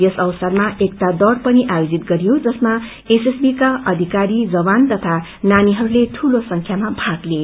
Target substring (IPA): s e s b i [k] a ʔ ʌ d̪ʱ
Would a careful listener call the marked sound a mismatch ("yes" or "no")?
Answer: no